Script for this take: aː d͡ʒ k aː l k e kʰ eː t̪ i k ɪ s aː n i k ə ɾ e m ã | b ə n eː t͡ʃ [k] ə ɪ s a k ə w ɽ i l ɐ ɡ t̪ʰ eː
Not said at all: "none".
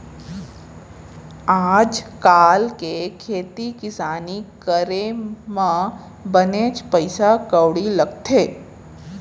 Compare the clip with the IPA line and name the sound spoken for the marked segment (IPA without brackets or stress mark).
p